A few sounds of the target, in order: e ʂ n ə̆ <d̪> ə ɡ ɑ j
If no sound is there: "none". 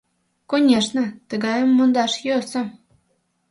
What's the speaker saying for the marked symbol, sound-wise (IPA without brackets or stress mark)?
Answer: t̪